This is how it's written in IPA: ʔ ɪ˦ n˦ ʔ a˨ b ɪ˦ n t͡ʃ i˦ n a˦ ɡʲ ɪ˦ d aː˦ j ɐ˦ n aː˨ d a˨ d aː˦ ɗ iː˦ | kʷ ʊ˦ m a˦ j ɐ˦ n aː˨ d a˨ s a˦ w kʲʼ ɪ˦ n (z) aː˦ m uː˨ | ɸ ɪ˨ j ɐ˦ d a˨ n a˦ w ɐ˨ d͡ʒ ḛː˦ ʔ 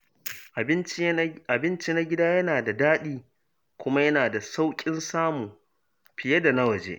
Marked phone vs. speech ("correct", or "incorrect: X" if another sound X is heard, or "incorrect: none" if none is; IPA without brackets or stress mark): incorrect: s